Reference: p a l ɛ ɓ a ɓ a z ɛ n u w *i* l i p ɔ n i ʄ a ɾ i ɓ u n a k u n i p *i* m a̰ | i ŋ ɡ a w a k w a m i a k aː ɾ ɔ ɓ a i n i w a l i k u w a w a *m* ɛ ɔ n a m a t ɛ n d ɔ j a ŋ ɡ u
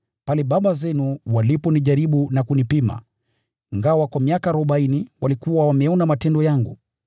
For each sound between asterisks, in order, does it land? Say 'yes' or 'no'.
no, yes, yes

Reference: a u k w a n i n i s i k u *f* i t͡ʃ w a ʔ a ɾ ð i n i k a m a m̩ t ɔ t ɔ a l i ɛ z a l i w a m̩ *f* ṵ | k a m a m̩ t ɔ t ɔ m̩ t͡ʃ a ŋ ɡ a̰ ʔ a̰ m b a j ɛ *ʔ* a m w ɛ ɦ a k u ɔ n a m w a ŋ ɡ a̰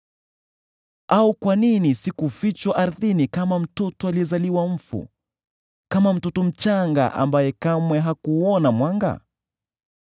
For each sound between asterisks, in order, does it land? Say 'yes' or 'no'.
yes, yes, no

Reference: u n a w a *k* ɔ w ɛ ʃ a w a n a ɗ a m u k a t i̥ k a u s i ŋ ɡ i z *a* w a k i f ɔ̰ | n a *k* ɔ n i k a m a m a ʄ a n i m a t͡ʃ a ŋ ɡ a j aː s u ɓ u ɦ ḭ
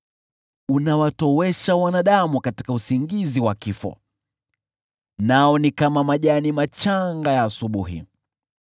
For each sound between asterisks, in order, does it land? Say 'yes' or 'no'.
no, no, no

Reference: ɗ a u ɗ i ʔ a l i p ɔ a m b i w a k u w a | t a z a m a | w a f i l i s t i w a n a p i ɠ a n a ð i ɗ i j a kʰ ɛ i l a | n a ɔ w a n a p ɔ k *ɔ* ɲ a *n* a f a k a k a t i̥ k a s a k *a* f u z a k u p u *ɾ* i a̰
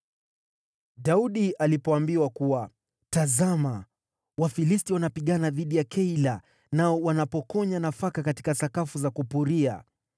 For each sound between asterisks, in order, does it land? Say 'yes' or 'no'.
yes, yes, yes, yes

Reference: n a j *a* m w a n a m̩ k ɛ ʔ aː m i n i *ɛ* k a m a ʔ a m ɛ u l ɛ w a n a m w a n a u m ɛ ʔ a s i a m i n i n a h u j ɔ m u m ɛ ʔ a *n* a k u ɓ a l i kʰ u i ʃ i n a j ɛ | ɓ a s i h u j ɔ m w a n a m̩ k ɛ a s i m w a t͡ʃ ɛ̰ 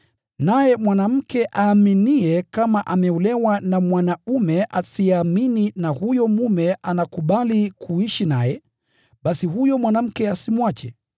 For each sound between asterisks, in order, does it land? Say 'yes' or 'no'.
no, yes, yes

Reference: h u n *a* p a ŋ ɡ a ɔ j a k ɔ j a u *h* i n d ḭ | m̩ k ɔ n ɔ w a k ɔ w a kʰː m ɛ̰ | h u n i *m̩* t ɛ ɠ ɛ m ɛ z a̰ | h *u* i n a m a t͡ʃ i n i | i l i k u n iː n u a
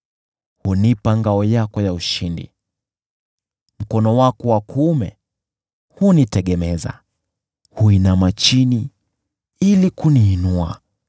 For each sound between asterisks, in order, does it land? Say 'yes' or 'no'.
no, no, no, yes

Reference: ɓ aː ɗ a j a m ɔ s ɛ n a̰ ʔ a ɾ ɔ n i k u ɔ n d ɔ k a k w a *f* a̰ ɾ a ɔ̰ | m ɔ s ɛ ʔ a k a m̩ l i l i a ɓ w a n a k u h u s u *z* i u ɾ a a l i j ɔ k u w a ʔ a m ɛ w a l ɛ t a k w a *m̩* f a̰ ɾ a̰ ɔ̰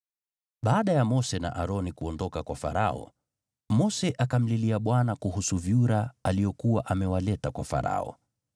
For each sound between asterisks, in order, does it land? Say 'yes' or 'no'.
yes, no, no

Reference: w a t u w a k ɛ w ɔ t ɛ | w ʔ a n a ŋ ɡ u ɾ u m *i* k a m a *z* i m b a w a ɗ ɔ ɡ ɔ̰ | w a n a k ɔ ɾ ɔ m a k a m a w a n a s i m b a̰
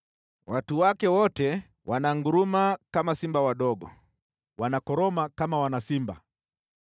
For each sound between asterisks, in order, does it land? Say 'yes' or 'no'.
no, no

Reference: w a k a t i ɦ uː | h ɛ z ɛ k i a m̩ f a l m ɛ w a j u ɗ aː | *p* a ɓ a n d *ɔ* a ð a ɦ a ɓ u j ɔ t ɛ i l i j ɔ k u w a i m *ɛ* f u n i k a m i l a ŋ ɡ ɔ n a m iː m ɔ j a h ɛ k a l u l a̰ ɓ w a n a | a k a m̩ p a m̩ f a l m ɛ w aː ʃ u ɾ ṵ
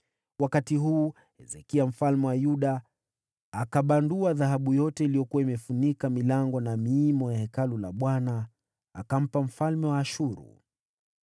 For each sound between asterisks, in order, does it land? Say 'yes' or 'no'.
no, no, yes

